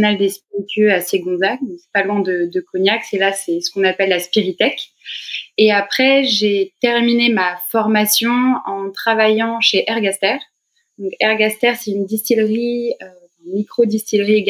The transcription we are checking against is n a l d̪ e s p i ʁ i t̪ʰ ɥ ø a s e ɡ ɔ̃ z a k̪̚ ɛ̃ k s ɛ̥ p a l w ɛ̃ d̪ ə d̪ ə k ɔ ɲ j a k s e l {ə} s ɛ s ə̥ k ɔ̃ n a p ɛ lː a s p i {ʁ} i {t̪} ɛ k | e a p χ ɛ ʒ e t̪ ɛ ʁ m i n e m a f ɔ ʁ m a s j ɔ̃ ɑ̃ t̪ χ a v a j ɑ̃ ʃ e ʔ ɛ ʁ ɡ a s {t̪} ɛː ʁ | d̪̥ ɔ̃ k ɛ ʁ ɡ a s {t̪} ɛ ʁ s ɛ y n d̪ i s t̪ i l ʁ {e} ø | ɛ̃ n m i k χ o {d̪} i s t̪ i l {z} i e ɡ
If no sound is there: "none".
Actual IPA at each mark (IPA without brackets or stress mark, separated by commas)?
a, ʁ, t̪, t̪, t̪, i, d̪, ʁ